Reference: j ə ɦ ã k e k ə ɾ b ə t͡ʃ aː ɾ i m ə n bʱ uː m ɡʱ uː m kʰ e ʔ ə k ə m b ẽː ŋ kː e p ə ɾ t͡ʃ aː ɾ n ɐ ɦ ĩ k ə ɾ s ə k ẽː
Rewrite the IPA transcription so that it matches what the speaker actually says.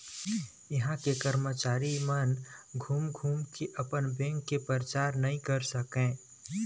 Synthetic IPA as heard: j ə ɦ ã k e k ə ɾ m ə t͡ʃ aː ɾ i m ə n ɡʱ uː m ɡʱ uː m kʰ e ʔ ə p ə n b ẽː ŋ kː e p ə ɾ t͡ʃ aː ɾ n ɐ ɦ ĩ k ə ɾ s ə k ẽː